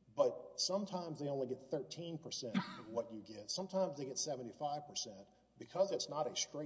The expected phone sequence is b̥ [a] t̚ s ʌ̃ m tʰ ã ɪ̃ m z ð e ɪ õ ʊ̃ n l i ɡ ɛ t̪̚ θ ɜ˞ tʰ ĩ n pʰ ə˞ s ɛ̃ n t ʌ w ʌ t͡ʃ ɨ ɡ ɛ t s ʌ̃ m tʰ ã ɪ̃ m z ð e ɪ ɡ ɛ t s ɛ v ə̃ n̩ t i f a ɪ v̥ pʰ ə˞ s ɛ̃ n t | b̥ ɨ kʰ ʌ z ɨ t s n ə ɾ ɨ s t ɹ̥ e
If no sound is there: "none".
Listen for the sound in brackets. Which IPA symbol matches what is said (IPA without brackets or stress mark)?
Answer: ʌ